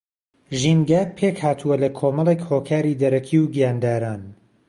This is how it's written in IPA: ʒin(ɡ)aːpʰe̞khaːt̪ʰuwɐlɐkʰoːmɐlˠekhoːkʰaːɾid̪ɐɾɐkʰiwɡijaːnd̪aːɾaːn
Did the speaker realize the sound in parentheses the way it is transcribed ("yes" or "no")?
yes